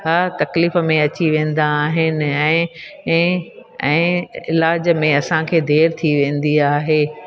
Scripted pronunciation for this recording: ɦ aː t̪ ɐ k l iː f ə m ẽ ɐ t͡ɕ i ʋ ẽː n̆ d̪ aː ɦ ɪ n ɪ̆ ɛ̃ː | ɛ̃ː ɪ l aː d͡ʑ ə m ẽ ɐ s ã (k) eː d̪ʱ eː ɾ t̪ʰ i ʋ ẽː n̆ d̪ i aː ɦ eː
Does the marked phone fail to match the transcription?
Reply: yes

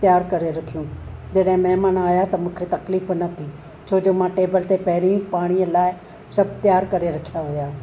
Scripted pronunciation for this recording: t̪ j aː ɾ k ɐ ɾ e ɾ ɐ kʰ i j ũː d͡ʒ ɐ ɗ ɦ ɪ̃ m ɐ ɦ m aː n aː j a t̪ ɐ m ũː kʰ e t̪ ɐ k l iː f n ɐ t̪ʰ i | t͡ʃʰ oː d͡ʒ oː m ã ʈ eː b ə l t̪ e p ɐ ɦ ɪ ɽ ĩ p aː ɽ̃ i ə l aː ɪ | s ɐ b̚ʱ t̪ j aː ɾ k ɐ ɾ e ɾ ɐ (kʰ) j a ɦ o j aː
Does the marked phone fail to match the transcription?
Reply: no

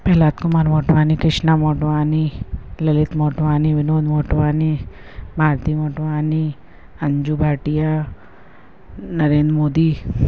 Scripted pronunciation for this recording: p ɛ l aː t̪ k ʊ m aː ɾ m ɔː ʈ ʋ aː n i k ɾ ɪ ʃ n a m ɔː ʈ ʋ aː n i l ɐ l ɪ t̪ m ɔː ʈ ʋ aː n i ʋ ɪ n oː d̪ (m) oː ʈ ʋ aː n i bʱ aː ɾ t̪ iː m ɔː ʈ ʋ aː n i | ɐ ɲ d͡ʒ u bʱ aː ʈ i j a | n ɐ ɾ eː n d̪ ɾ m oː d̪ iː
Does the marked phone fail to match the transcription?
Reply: no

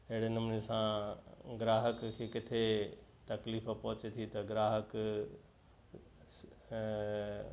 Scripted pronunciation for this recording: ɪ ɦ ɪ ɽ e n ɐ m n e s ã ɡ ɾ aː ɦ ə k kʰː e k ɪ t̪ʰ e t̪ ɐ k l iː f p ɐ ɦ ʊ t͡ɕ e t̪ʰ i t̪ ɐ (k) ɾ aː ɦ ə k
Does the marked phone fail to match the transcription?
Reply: yes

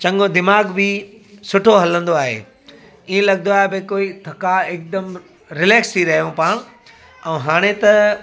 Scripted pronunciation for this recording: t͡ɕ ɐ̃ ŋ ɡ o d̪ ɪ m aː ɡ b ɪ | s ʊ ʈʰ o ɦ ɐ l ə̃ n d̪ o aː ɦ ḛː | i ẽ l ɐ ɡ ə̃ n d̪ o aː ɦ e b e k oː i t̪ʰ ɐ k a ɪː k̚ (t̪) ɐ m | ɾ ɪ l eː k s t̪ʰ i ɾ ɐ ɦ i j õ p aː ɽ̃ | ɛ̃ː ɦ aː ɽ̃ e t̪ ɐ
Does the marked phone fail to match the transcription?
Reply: yes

